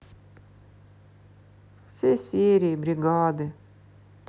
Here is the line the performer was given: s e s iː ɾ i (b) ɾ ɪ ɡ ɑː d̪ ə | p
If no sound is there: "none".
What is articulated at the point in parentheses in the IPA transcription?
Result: b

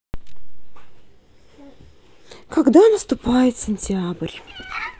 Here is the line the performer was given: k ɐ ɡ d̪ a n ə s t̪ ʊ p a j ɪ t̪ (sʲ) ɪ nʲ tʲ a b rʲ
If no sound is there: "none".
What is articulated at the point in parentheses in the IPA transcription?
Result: sʲ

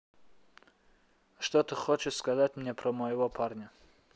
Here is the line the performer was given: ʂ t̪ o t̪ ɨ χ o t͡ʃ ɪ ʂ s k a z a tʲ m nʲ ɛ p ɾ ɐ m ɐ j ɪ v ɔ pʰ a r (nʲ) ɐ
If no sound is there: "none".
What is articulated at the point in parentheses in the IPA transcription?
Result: nʲ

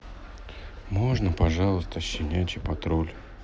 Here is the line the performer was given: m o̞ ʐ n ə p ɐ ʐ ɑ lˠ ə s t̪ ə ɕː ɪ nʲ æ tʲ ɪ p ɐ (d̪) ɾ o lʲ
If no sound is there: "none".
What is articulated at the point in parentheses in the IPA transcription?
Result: t̪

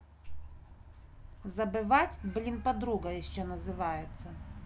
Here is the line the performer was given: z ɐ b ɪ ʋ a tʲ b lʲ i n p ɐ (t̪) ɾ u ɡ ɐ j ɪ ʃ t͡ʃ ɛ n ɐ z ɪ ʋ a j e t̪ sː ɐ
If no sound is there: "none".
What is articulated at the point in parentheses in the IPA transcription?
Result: d̪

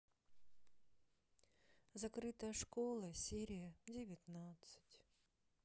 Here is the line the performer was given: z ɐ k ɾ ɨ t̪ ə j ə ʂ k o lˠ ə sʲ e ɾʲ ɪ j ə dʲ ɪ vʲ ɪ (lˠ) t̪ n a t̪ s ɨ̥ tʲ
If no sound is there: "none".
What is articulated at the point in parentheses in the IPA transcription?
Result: none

